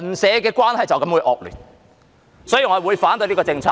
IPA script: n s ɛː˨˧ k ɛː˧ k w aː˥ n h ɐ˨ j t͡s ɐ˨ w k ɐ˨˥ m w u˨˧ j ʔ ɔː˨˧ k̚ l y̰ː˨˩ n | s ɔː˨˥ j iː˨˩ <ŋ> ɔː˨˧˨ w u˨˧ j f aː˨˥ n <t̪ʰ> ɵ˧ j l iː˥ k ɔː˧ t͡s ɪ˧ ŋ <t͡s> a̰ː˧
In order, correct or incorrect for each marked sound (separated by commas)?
correct, incorrect, incorrect